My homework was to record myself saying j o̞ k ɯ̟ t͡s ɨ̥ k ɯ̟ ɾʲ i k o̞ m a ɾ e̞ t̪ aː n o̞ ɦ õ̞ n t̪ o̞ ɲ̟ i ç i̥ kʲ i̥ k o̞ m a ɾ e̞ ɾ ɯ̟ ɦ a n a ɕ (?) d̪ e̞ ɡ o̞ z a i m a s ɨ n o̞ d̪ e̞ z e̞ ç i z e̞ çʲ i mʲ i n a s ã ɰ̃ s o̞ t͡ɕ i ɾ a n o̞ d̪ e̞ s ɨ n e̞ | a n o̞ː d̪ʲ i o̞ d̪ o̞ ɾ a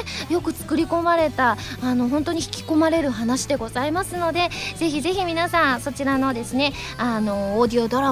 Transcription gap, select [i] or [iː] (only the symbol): i